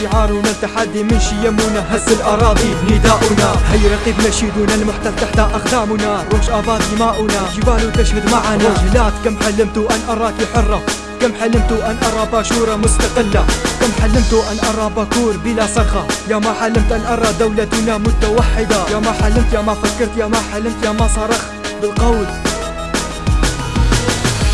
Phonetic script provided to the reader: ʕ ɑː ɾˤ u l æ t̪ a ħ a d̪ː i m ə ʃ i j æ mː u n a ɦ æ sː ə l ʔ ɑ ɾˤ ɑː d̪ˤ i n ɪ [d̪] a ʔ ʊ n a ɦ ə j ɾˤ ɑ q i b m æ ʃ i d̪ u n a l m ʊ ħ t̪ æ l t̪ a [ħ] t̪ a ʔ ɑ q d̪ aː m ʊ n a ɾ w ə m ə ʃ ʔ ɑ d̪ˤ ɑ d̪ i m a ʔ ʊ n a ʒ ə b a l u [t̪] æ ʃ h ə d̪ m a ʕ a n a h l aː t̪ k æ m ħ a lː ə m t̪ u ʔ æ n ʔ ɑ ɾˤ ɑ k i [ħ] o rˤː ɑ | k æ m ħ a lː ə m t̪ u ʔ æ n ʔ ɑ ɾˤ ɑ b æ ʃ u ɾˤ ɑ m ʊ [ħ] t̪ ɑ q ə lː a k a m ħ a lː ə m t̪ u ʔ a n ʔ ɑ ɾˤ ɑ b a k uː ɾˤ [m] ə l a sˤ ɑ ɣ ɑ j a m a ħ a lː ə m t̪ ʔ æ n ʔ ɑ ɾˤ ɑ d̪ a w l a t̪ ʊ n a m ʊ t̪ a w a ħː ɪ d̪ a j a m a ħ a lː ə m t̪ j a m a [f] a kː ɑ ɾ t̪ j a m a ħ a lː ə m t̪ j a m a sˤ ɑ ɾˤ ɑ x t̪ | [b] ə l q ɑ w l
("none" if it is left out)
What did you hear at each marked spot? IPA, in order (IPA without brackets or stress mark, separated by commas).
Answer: d̪, ħ, t̪, ħ, s, b, f, b